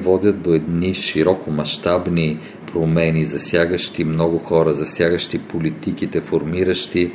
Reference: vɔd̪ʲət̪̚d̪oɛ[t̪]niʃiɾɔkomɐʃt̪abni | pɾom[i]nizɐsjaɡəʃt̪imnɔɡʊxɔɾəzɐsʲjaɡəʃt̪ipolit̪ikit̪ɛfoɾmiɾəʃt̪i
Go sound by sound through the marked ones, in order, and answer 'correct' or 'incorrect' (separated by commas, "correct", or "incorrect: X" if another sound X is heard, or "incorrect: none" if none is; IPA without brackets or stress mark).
incorrect: d̪, incorrect: ɛ